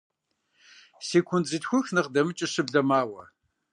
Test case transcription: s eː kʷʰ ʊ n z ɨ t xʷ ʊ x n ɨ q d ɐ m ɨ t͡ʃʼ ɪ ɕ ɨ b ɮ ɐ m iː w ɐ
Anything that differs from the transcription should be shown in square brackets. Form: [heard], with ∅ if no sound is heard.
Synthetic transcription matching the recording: s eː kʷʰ ʊ n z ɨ t xʷ ʊ x n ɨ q d ɐ m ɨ t͡ʃʼ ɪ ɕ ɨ b ɮ ɐ m [aː] w ɐ